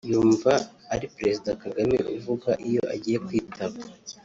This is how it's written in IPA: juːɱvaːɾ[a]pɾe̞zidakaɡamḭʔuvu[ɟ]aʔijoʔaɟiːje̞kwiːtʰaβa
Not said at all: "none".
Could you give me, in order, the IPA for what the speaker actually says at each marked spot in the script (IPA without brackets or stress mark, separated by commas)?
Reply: i, ɡ